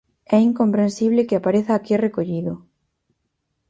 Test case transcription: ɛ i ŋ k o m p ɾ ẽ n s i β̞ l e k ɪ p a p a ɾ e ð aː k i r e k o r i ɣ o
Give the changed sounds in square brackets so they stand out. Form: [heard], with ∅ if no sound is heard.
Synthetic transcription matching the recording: ɛ i ŋ k o m p ɾ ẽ n s i β̞ l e k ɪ [∅] a p a ɾ e [θ] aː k i r e k o [ʎ] i [ð] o